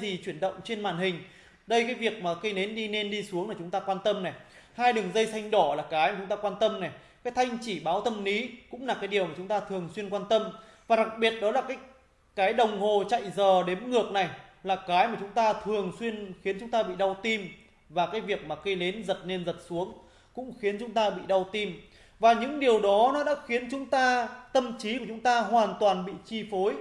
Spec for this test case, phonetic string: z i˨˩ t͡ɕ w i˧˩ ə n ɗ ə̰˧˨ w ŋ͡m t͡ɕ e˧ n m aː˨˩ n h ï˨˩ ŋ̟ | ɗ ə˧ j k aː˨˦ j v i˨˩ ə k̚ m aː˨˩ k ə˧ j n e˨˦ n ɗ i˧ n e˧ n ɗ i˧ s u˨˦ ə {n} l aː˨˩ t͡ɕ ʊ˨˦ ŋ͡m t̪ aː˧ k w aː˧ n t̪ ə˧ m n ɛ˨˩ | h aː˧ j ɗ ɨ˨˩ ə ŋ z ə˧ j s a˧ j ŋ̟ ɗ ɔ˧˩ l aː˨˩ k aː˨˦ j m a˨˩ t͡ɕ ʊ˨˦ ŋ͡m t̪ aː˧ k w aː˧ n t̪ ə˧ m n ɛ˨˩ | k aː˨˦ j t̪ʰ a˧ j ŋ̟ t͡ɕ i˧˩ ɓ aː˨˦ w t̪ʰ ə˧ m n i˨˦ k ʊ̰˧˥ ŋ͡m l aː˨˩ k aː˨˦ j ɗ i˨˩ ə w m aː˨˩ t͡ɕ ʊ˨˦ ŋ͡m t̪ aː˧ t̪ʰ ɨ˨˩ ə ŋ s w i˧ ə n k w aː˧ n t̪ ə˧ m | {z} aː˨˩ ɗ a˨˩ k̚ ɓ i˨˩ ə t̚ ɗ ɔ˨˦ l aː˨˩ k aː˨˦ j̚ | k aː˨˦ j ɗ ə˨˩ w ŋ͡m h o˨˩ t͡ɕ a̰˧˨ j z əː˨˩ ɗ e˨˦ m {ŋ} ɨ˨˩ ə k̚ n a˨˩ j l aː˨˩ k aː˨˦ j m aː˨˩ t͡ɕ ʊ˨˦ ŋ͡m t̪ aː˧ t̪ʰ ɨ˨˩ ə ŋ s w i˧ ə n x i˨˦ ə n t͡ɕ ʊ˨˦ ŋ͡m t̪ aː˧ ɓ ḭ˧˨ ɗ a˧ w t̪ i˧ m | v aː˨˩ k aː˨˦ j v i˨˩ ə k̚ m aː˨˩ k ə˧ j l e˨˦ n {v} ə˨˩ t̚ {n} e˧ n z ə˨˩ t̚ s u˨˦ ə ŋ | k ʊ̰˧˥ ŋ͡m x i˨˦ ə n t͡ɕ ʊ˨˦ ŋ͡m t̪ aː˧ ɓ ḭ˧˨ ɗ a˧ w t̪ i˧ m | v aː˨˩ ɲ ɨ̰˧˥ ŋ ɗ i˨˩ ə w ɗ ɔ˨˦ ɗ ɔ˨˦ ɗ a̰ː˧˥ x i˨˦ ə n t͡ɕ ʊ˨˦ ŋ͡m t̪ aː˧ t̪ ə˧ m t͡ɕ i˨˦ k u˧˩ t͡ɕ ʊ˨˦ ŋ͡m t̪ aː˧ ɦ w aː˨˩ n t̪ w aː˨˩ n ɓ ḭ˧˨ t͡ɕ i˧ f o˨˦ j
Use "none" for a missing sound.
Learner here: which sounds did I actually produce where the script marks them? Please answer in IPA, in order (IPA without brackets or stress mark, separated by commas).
ŋ, v, ŋ, z, n